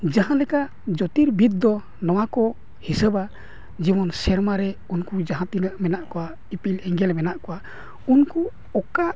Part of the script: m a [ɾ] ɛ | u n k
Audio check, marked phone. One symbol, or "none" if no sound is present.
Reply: ɾ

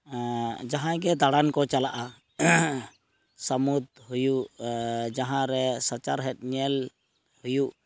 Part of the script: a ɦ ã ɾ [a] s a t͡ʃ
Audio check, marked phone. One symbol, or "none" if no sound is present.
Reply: ɛ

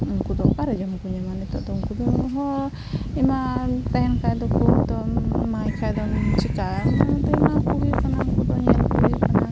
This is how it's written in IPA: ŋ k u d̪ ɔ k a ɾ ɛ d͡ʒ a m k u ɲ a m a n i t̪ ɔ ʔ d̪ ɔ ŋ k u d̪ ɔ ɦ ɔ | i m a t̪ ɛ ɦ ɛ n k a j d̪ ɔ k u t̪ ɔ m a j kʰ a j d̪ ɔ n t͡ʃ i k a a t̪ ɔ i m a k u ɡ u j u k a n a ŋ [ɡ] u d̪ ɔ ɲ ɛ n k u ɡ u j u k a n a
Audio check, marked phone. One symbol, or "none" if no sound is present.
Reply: k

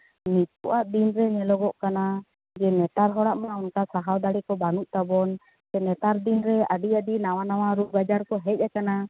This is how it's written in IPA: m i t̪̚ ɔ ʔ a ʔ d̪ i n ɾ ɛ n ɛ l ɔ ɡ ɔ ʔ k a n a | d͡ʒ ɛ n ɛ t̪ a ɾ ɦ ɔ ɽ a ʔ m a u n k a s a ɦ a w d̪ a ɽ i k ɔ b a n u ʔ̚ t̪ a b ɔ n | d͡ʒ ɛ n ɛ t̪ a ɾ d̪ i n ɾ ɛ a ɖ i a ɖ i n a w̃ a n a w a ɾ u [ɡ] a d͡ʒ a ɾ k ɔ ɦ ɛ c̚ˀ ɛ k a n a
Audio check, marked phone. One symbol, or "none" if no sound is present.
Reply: ɡ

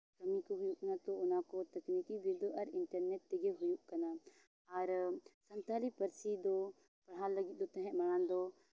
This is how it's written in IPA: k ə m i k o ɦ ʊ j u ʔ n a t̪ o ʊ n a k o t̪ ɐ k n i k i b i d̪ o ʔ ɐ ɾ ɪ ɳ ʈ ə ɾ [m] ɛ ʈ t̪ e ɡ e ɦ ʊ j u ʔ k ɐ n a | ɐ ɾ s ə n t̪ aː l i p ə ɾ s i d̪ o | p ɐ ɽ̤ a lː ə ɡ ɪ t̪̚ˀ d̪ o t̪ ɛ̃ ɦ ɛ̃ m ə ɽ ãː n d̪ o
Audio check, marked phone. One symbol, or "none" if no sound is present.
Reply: n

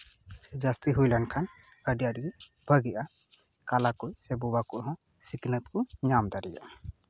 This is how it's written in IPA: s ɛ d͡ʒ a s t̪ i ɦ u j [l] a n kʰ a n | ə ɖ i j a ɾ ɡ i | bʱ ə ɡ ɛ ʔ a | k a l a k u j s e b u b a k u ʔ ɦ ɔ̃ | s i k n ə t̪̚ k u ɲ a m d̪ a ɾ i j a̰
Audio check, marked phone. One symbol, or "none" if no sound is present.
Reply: l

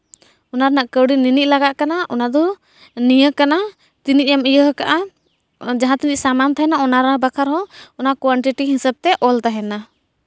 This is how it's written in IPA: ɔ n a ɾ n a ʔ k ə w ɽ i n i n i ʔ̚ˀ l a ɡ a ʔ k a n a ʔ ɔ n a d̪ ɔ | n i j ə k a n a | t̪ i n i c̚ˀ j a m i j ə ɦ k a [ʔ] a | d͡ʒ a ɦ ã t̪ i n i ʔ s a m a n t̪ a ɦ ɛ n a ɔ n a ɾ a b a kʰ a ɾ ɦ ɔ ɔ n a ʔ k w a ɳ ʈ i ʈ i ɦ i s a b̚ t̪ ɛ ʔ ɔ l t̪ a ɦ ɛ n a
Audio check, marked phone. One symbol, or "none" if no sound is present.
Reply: ʔ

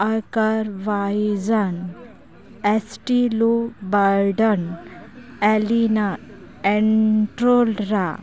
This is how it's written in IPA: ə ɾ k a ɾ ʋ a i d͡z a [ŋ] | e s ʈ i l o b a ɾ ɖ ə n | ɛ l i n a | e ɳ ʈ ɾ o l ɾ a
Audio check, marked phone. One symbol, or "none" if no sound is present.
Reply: n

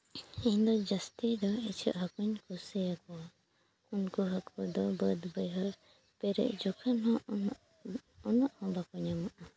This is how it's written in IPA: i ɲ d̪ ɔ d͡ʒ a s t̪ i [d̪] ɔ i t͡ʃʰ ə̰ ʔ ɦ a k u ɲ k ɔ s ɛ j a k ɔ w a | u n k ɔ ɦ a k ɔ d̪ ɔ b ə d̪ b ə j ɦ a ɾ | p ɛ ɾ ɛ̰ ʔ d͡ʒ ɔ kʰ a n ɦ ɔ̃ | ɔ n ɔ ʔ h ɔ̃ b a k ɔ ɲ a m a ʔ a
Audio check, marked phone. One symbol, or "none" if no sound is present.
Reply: d̪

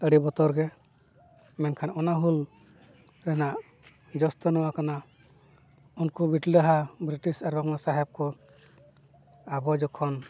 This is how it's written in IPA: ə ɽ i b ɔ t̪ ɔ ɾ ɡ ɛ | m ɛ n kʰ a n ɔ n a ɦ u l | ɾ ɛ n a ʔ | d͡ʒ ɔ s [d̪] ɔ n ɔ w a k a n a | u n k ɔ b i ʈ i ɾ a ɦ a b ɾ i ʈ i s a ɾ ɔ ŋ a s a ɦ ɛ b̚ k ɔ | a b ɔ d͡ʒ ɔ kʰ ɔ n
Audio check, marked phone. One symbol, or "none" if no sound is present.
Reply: t̪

